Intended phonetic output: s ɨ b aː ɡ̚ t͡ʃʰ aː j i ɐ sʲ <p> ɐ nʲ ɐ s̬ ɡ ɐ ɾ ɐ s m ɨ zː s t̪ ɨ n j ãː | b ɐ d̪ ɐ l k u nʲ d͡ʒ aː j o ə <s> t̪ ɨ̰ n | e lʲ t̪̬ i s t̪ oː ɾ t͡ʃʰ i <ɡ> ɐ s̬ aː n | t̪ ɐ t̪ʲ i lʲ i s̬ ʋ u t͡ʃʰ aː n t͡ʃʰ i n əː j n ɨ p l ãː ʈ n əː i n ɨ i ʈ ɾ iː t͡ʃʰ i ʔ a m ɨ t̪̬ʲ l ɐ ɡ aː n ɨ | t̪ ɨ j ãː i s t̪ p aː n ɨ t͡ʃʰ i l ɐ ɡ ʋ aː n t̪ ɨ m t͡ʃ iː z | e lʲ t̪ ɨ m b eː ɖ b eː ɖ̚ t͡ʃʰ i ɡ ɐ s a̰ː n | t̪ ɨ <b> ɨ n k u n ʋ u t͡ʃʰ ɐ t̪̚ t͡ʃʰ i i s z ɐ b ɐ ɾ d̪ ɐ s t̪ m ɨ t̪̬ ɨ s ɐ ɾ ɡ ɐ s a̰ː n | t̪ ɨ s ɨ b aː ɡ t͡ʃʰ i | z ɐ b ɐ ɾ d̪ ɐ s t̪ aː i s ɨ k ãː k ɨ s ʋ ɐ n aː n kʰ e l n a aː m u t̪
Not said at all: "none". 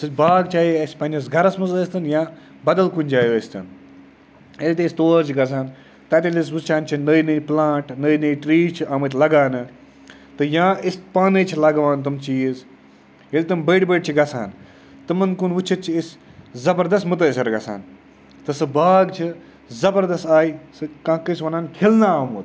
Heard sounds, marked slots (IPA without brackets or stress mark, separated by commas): p, s, ɡ, m